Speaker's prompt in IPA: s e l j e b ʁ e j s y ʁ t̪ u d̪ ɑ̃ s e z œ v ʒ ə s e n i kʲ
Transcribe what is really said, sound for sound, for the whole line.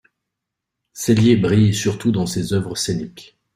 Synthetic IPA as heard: s e l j e b ʁ i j s y ʁ t̪ u d̪ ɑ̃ s e z œ v ʁ ə s e n i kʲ